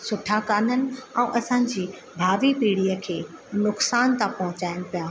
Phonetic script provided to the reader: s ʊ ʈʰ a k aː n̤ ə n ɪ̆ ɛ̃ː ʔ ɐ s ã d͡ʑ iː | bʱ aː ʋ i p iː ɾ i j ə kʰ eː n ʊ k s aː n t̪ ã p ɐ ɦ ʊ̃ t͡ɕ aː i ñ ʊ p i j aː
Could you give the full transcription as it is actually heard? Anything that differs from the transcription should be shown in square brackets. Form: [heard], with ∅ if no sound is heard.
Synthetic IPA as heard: s ʊ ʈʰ a k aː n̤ ə n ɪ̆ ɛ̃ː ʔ ɐ s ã d͡ʑ iː | bʱ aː ʋ i p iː [ɽ] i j ə kʰ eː n ʊ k s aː n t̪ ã p ɐ ɦ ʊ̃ t͡ɕ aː [ɪ] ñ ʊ p i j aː